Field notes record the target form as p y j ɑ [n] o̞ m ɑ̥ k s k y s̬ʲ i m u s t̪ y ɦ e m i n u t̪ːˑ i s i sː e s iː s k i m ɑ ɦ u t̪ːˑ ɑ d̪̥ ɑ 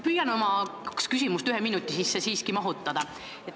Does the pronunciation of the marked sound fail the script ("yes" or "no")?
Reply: no